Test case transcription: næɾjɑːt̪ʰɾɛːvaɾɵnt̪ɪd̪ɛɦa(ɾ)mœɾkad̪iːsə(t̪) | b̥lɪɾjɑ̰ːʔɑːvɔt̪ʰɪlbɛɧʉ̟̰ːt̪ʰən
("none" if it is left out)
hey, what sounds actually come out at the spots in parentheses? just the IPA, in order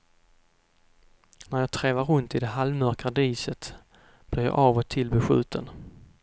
l, t̪

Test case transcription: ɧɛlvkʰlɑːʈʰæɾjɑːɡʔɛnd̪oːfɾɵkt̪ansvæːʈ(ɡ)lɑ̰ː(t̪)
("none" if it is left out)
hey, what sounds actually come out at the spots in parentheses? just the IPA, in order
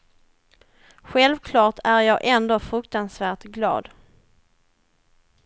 ɡ, d̪

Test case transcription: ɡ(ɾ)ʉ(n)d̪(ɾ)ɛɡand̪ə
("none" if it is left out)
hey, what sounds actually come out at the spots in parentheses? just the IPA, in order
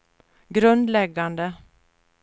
ɾ, n, l

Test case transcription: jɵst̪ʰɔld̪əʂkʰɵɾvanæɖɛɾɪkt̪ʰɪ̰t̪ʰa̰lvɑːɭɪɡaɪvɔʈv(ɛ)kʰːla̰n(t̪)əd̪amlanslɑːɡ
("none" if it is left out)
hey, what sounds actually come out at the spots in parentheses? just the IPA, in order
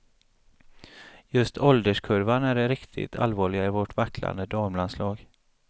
a, d̪

